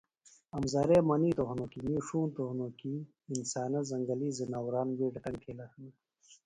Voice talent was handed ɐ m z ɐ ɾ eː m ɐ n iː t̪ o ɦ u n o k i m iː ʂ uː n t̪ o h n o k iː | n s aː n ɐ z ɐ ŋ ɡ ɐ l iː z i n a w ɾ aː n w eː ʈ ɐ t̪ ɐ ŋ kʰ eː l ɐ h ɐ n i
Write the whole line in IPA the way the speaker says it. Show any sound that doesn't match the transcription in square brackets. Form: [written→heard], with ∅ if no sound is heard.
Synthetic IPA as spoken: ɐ m z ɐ ɾ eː m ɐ n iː t̪ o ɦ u n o k i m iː ʂ uː n t̪ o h n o k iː | n s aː n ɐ z ɐ ŋ ɡ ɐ l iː z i n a w ɾ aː n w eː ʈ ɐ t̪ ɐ ŋ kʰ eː l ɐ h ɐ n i